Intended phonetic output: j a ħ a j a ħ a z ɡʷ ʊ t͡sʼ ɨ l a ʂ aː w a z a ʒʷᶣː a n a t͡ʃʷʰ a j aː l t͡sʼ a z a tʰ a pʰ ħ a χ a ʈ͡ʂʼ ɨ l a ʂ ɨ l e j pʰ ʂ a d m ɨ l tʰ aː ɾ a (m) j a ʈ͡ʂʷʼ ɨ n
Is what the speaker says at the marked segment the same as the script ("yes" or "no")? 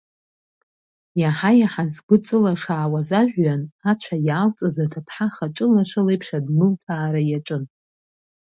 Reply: no